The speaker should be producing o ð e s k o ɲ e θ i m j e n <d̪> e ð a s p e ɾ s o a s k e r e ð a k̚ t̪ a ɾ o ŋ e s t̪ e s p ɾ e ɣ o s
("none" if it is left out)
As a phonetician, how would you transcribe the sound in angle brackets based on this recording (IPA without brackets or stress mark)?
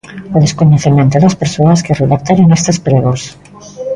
t̪